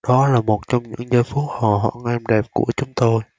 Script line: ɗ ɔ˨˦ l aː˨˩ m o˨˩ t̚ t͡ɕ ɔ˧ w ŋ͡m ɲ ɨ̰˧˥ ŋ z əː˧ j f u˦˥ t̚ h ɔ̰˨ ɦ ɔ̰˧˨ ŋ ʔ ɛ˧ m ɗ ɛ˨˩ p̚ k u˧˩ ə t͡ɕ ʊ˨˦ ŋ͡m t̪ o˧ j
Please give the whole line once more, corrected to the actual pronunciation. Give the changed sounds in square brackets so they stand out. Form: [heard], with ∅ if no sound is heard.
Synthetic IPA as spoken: ɗ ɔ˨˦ l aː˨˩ m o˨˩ t̚ t͡ɕ ɔ˧ w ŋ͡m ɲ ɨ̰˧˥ ŋ z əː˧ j f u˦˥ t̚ h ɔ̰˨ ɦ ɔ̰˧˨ ŋ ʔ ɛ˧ m ɗ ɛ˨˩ p̚ k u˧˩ ə t͡ɕ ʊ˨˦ ŋ͡m t̪ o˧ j